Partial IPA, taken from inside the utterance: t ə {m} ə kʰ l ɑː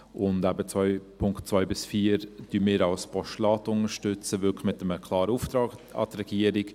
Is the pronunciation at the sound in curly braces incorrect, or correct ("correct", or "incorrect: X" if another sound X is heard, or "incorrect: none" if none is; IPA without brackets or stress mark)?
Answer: correct